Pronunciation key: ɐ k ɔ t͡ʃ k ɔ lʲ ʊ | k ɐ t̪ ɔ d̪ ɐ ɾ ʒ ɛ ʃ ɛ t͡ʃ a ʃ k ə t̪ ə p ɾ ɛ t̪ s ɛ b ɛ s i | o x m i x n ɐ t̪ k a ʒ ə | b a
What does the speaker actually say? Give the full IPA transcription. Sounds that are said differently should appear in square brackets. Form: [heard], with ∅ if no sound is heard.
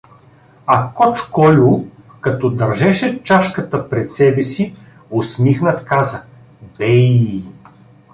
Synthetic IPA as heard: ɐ k ɔ t͡ʃ k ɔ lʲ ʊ | k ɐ t̪ ɔ d̪ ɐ ɾ ʒ ɛ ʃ ɛ t͡ʃ a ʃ k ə t̪ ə p ɾ ɛ t̪ s ɛ b ɛ s i | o [s] m i x n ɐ t̪ k a [z] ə | b [ɛ]

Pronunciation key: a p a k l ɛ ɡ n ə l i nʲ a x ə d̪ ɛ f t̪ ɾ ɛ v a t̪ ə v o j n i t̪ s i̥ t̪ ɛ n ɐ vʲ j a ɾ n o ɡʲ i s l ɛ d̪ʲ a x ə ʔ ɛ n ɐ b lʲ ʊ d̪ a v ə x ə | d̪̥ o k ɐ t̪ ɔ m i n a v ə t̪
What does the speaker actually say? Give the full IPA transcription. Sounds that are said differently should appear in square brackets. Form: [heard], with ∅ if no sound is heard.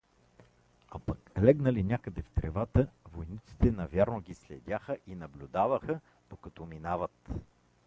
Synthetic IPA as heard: a p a k l ɛ ɡ n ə l i nʲ a [k] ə d̪ ɛ f t̪ ɾ ɛ v a t̪ ə v o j n i t̪ s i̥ t̪ ɛ n ɐ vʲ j a ɾ n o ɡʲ i s l ɛ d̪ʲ a x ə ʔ [i] n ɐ b lʲ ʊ d̪ a v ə x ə | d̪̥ o k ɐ t̪ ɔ m i n a v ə t̪

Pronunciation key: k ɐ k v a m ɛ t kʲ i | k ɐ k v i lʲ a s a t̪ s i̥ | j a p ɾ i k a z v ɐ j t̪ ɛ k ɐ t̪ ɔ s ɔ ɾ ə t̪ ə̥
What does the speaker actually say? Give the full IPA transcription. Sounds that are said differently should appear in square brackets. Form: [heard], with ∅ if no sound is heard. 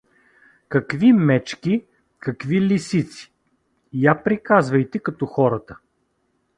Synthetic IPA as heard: k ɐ k v [i] m ɛ [t͡ʃ] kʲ i | k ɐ k v i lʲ [i] s [i] t̪ s i̥ | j a p ɾ i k a z v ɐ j t̪ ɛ k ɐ t̪ ɔ [x] ɔ ɾ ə t̪ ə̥

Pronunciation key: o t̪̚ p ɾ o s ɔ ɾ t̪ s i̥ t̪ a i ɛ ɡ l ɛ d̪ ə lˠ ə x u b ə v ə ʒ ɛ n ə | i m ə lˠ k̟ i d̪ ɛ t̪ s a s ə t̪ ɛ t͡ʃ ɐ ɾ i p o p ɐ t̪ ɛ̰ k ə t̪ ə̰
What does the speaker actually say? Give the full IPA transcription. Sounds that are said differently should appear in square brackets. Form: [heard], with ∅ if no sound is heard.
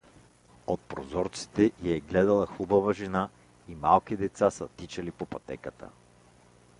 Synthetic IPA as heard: o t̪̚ p ɾ o [z] ɔ ɾ t̪ s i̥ t̪ [ɛ] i ɛ ɡ l ɛ d̪ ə lˠ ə x u b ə v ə ʒ ɛ n [a] | i m [a] lˠ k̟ i d̪ ɛ t̪ s a s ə t̪ [i] t͡ʃ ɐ [l] i p o p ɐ t̪ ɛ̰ k ə t̪ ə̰

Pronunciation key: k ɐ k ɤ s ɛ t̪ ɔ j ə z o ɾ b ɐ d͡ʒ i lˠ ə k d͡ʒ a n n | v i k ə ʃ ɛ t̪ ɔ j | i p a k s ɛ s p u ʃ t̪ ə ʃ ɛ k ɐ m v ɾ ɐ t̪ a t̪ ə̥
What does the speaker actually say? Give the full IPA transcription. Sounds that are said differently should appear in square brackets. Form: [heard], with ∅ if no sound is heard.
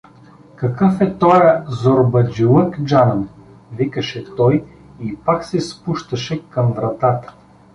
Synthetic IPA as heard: k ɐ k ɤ [f] ɛ t̪ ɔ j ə z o ɾ b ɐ d͡ʒ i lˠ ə k d͡ʒ a n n | v i k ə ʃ ɛ t̪ ɔ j | i p a k s ɛ s p u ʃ t̪ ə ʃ ɛ k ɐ m v ɾ ɐ t̪ a t̪ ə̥

